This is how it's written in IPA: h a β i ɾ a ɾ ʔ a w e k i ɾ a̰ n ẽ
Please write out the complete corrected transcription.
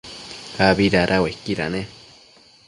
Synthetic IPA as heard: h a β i ɾ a ɾ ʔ a w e k i ɾ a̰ n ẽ